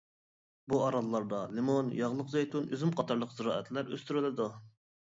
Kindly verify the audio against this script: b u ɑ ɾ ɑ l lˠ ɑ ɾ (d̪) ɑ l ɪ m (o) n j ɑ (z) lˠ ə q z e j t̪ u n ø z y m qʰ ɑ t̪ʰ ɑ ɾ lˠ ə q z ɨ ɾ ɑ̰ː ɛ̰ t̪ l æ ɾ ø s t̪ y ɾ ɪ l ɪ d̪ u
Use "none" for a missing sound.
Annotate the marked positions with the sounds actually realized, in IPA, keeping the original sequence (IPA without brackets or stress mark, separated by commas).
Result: d̪, o, ʁ